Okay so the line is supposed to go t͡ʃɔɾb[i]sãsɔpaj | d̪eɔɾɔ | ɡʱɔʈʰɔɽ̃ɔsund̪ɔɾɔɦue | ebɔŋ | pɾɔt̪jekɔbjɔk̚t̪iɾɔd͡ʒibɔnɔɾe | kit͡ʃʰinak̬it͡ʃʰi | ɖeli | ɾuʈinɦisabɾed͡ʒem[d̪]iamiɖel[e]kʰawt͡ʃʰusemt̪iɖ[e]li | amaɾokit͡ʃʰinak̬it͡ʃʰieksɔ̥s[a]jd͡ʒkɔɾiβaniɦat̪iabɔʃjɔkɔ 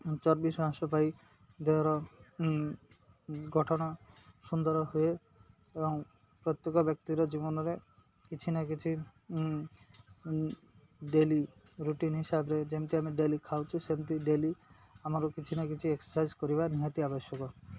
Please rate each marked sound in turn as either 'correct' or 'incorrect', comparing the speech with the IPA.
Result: correct, incorrect: t̪, incorrect: i, correct, correct

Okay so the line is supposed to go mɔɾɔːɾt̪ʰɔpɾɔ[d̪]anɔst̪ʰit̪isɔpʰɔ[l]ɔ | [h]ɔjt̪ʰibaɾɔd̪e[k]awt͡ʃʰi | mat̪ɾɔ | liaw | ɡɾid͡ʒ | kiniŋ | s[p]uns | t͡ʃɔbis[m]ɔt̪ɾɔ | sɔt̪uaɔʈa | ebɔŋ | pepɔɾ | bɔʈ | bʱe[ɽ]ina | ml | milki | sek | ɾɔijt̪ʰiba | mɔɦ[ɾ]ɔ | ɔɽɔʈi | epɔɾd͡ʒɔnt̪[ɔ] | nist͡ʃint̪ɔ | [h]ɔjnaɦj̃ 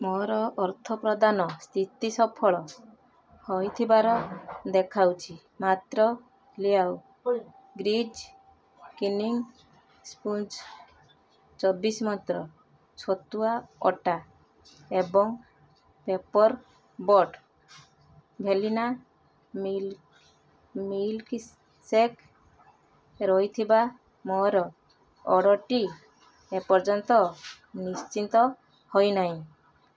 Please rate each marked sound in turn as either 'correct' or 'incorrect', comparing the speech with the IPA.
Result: correct, incorrect: ɭ, correct, incorrect: kʰ, correct, correct, incorrect: l, correct, correct, correct

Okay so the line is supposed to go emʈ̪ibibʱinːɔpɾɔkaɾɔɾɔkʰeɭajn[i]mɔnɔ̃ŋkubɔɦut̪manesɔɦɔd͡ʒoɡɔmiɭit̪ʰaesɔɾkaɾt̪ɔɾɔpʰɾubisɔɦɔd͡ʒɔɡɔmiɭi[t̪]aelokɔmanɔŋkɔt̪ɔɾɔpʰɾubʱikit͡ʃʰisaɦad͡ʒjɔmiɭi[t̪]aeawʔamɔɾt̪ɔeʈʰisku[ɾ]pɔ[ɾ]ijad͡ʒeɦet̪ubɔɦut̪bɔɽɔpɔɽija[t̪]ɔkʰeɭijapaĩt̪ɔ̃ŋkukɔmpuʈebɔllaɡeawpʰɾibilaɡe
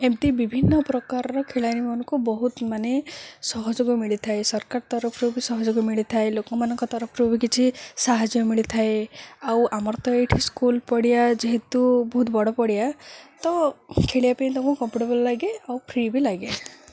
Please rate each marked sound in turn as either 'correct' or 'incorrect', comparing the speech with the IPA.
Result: correct, incorrect: t̪ʰ, incorrect: t̪ʰ, incorrect: l, incorrect: ɽ, correct

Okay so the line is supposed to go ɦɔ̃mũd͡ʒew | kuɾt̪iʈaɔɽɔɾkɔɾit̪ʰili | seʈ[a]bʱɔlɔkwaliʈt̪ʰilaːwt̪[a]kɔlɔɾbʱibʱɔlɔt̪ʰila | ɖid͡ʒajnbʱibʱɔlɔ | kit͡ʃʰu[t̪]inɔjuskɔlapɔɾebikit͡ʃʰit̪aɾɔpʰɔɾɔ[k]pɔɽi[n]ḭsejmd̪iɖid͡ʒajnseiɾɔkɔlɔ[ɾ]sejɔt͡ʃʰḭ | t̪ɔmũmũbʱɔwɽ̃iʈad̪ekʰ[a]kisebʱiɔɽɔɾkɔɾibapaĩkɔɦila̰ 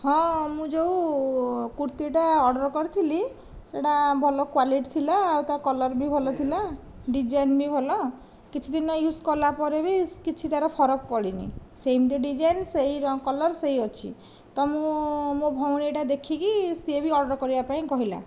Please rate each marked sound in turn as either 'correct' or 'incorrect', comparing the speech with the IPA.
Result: correct, correct, incorrect: d̪, correct, correct, correct, incorrect: i

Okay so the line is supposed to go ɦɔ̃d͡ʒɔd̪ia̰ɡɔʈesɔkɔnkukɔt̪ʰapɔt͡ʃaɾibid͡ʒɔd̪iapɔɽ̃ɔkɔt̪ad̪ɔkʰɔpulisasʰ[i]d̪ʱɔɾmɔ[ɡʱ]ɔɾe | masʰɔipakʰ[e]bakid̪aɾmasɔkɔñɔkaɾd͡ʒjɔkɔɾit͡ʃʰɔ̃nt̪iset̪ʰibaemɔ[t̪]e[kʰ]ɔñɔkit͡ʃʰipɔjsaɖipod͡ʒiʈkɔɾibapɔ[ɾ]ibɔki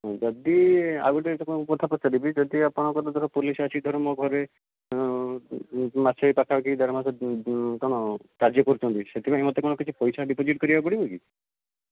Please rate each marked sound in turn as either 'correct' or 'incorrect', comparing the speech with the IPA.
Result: correct, correct, incorrect: a, correct, incorrect: k, incorrect: ɽ

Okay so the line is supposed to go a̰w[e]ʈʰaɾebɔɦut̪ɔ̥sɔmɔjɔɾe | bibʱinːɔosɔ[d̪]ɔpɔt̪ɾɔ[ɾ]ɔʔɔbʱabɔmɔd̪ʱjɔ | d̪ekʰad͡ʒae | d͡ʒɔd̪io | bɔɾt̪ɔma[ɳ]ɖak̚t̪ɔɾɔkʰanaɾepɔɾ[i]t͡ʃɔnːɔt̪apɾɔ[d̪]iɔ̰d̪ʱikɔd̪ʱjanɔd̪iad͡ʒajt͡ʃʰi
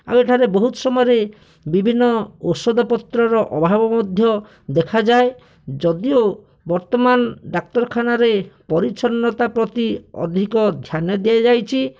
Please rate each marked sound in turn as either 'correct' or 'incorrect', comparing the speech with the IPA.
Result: correct, correct, correct, incorrect: n, correct, incorrect: t̪

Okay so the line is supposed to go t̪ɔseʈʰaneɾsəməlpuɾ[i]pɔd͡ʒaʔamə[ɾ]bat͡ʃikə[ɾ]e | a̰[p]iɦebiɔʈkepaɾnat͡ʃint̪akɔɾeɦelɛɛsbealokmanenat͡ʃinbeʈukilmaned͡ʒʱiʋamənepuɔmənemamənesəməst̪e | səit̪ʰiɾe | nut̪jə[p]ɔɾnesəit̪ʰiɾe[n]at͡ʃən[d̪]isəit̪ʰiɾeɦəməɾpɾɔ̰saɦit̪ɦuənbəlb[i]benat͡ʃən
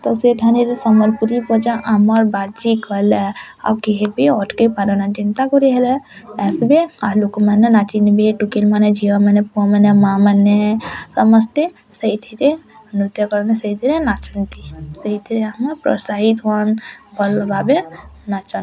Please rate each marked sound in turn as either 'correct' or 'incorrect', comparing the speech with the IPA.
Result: correct, correct, incorrect: l, incorrect: k, incorrect: k, correct, incorrect: t̪, incorrect: a

